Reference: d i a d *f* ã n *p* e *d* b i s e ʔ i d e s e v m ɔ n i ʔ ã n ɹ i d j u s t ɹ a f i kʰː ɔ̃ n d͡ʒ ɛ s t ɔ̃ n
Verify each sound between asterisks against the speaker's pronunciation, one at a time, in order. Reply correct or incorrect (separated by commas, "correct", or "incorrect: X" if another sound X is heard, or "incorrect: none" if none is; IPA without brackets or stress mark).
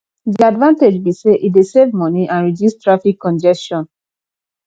incorrect: v, incorrect: t, incorrect: d͡ʒ